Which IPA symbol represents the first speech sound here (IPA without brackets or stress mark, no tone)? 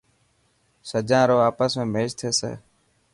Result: s